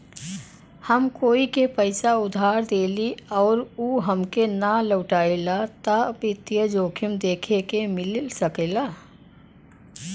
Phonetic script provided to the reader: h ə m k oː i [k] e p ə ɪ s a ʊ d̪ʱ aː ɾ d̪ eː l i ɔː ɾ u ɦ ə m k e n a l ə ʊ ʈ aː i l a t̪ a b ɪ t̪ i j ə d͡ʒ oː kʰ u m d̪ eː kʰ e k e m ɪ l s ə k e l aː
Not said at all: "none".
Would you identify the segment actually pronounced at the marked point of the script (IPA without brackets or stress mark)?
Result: k